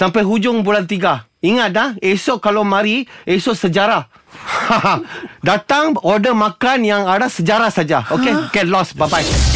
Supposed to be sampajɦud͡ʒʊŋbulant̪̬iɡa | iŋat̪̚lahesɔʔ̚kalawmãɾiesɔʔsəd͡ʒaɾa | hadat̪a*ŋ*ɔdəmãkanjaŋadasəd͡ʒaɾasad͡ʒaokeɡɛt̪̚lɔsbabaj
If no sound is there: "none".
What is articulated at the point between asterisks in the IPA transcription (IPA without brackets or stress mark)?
ŋ